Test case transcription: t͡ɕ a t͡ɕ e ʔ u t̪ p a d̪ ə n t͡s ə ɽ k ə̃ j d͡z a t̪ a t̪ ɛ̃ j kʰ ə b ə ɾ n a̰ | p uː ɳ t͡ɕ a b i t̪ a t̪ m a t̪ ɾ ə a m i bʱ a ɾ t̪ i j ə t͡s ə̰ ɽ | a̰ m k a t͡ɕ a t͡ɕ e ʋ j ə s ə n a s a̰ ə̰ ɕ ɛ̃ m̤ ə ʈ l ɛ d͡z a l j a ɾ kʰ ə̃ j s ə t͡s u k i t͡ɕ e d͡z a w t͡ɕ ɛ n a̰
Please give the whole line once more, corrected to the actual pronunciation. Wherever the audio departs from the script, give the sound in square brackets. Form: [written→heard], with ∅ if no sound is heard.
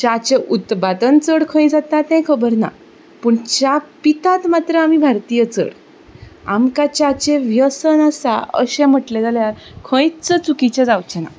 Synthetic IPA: t͡ɕ a t͡ɕ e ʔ u t̪ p a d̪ ə n t͡s ə ɽ [k→kʰ] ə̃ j d͡z a t̪ a t̪ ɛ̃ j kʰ ə b ə ɾ n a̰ | p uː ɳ t͡ɕ a [b→p] i t̪ a t̪ m a t̪ ɾ ə a m i bʱ a ɾ t̪ i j ə t͡s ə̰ ɽ | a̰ m k a t͡ɕ a t͡ɕ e ʋ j ə s ə n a s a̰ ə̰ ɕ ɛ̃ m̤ ə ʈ l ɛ d͡z a l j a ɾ kʰ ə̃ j [s→t͡s] ə t͡s u k i t͡ɕ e d͡z a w t͡ɕ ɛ n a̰